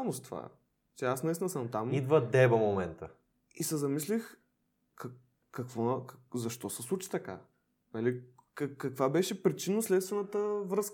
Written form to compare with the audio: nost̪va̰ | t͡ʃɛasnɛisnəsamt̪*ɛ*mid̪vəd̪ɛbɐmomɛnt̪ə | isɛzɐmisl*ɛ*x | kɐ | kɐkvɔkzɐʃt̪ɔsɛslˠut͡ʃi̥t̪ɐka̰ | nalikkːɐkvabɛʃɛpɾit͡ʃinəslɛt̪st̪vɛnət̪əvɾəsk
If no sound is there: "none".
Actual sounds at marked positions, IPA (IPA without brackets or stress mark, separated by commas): a, i